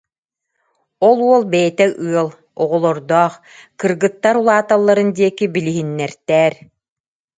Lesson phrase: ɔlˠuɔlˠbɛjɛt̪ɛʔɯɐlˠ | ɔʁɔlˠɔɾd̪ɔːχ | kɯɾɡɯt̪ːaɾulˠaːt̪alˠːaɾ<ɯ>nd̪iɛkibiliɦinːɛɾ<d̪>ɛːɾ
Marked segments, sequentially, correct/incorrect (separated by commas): correct, incorrect